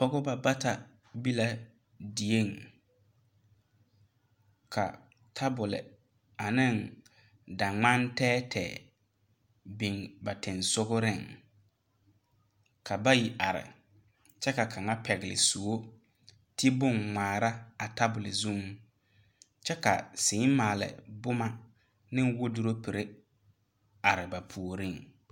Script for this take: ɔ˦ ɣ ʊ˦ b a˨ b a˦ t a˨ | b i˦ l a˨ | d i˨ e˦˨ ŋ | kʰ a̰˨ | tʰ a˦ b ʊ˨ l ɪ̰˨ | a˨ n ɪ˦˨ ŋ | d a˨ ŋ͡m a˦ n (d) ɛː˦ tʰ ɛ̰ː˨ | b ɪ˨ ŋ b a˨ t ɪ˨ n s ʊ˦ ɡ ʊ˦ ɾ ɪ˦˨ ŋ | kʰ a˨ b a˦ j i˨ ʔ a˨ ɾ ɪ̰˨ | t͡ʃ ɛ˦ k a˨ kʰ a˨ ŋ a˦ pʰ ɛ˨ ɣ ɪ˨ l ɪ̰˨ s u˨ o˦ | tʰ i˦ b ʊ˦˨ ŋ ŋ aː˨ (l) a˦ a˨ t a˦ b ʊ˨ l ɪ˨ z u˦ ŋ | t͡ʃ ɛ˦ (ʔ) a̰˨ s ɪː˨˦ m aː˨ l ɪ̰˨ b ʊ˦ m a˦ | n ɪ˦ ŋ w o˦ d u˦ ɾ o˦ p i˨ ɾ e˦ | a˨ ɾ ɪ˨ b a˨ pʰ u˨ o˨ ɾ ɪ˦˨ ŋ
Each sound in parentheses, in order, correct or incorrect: incorrect, incorrect, incorrect

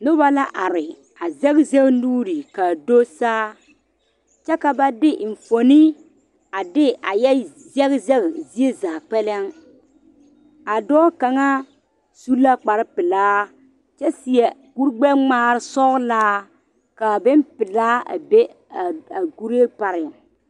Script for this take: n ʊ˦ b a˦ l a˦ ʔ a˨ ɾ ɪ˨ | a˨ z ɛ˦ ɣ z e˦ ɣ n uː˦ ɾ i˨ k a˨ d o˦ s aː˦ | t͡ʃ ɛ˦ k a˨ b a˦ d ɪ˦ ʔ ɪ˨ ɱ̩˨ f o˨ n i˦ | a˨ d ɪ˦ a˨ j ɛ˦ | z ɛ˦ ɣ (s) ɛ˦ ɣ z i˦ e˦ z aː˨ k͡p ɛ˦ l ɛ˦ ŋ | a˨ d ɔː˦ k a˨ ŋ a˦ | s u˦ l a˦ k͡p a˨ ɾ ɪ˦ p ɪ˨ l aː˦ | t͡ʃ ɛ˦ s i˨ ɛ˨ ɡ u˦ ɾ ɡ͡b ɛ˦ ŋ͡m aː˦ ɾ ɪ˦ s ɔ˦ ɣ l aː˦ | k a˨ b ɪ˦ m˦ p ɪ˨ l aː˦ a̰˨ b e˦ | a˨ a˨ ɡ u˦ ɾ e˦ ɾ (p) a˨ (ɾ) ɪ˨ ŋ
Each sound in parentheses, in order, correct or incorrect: incorrect, correct, correct

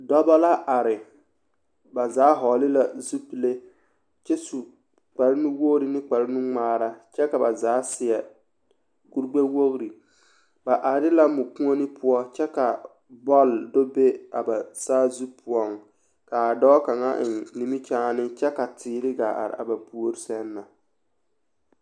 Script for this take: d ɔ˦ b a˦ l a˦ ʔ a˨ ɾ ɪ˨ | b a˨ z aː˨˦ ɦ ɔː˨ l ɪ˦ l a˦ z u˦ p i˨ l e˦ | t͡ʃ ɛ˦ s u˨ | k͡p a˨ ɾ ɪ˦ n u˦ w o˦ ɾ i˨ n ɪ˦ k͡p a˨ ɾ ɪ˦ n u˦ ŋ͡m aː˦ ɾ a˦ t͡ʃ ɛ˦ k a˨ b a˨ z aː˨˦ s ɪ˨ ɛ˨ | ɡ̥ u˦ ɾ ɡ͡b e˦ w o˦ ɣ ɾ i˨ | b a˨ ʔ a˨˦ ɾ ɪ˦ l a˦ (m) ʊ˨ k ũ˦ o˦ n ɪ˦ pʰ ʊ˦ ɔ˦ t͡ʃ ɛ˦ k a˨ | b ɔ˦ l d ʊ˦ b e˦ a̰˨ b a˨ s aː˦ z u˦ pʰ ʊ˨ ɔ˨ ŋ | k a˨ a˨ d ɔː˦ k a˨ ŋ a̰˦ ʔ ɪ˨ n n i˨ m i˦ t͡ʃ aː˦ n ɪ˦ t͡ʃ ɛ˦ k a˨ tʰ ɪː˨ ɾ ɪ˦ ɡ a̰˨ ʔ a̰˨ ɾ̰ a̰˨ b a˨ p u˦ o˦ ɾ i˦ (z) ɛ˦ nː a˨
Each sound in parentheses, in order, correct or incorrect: correct, incorrect

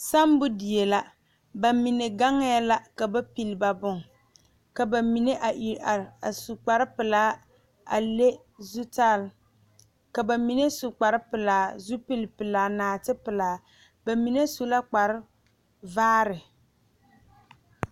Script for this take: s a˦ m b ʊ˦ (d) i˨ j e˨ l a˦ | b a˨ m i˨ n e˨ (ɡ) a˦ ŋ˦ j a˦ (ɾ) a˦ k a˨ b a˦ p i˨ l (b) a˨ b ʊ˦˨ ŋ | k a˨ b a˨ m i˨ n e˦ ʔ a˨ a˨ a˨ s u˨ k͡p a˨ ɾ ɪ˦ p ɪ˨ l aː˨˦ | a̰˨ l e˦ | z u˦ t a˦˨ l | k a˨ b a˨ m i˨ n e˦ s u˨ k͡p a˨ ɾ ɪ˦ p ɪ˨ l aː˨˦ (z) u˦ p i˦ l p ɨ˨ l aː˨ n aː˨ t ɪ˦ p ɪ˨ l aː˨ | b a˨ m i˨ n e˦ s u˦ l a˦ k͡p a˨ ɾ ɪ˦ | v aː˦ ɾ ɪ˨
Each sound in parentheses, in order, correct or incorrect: correct, correct, incorrect, correct, correct

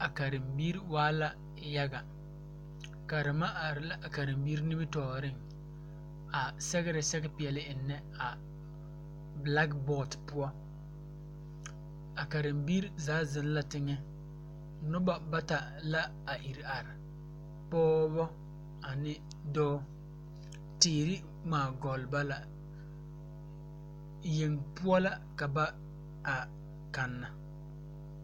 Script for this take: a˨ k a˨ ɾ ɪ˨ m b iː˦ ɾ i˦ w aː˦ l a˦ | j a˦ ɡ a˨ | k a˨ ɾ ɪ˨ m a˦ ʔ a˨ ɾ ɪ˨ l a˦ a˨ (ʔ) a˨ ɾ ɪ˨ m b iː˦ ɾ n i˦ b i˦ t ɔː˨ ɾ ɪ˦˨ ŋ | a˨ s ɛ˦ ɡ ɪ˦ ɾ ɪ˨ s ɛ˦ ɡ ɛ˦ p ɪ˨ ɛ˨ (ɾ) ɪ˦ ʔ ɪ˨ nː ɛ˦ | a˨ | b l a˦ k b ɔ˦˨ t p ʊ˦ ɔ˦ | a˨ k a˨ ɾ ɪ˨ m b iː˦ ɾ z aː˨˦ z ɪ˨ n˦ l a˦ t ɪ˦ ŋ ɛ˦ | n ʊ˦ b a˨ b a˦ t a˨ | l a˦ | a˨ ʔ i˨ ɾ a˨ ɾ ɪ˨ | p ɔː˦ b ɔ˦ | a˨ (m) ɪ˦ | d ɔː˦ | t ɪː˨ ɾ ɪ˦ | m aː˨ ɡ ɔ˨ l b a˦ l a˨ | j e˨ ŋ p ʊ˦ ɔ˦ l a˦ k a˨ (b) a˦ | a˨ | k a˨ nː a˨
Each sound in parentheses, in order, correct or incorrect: incorrect, incorrect, incorrect, correct

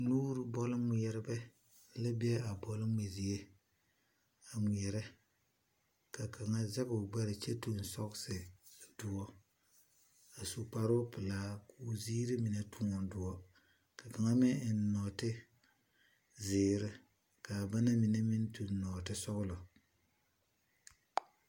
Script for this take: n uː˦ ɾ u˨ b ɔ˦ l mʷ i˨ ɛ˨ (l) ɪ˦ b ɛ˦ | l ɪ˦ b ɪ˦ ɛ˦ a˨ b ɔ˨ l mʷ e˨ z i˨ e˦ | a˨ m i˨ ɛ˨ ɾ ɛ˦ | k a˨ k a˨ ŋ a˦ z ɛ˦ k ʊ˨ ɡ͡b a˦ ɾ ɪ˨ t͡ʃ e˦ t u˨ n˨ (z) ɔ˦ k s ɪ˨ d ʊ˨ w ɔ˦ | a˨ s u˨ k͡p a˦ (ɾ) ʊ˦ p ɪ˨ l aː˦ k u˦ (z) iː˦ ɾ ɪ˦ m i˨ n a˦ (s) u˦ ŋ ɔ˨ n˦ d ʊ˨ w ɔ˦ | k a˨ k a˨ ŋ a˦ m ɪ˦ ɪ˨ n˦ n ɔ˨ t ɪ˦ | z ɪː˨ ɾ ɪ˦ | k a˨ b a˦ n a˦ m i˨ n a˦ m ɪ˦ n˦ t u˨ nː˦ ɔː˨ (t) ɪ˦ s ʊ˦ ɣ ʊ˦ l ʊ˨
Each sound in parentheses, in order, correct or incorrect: incorrect, incorrect, correct, correct, incorrect, correct

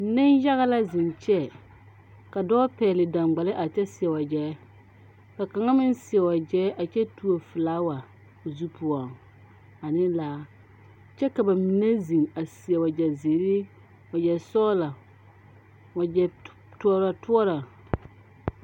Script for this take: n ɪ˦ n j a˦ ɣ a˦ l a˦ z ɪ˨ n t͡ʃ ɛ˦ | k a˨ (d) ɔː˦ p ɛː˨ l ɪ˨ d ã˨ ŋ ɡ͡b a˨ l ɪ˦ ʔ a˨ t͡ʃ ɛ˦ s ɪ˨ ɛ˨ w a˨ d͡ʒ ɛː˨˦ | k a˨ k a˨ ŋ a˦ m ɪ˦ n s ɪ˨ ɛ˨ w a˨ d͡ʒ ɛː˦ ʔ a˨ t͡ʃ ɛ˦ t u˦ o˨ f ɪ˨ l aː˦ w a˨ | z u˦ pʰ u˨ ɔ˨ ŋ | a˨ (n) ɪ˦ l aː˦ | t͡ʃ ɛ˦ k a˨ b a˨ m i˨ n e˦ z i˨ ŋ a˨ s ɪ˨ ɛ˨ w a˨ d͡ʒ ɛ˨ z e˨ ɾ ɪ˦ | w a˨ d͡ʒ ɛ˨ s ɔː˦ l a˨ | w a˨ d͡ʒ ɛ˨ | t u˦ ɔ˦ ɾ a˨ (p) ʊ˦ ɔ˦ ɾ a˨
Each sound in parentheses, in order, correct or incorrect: correct, correct, incorrect

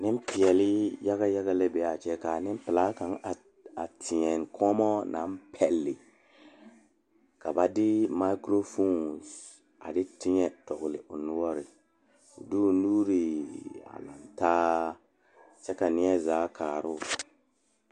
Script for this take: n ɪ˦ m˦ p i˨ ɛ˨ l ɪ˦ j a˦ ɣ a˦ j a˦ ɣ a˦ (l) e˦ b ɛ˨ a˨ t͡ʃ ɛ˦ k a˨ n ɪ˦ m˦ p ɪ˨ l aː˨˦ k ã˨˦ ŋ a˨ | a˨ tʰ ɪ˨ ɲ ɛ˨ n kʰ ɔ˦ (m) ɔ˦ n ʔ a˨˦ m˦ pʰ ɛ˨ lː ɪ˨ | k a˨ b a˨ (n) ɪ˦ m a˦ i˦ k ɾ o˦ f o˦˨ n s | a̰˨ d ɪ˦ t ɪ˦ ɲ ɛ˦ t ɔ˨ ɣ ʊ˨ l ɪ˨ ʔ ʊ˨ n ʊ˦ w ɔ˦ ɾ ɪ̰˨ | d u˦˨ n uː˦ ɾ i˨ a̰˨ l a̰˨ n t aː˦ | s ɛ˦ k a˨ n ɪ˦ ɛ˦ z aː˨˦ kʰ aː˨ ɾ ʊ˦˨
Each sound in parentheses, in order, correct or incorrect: correct, correct, incorrect

